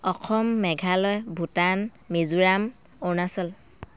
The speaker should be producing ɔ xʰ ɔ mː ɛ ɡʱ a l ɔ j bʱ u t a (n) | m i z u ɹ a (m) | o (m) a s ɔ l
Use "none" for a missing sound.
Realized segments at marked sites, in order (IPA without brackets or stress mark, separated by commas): n, m, n